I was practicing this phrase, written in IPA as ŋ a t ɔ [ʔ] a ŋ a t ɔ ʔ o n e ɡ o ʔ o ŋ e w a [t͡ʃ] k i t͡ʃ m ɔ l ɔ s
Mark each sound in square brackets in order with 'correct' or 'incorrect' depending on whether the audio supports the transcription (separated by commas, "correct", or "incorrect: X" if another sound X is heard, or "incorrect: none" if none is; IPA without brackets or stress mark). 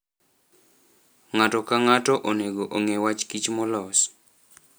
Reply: incorrect: k, correct